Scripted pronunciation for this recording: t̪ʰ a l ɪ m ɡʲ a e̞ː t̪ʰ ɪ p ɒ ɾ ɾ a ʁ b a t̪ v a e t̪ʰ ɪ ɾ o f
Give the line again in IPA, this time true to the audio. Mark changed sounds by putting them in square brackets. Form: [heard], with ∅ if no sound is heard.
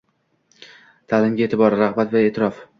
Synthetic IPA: t̪ʰ a l ɪ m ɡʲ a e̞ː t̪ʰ ɪ [b] ɒ ɾ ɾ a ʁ b a t̪ v a e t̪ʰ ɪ ɾ [ɒ] f